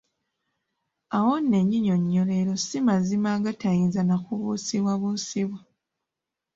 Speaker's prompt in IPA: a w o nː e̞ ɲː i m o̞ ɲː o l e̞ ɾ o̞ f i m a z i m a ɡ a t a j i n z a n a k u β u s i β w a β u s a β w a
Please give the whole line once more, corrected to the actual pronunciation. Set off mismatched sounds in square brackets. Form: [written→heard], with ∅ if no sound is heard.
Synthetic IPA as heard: a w o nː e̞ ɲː i [m→ɲ] o̞ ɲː o l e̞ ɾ o̞ [f→s] i m a z i m a ɡ a t a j i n z a n a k u β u s i β w a β u s [a→i] β w a